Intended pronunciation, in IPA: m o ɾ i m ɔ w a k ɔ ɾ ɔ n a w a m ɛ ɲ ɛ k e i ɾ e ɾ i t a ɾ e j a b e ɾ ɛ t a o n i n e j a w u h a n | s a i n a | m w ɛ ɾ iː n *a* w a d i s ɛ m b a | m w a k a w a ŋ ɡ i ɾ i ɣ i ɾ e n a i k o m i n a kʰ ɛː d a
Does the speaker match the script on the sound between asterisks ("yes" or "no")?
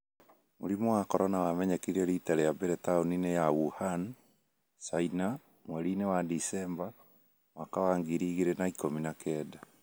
no